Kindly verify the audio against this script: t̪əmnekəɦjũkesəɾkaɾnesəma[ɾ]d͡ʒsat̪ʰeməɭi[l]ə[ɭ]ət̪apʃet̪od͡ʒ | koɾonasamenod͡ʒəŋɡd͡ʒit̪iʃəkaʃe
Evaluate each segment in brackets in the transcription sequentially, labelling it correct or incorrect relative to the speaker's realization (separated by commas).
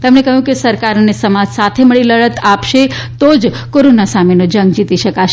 incorrect, correct, correct